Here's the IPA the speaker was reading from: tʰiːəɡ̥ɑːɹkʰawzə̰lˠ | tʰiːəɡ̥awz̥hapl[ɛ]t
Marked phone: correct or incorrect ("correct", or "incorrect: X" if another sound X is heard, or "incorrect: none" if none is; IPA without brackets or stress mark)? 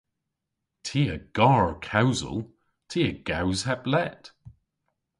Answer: correct